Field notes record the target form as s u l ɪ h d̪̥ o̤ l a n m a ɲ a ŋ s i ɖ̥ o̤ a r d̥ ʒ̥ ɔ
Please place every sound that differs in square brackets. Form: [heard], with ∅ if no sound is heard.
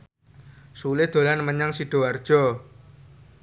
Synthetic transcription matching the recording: s u l ɪ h d̪̥ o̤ l a n m [ə] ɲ a ŋ s i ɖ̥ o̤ a r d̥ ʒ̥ ɔ